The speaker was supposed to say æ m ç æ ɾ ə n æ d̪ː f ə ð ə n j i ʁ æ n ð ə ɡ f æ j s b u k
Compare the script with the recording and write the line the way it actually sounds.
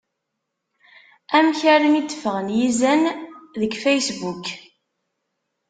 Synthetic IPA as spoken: æ m ç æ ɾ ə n i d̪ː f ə ʁ ə n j i z æ n ð ə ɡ f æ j s b u k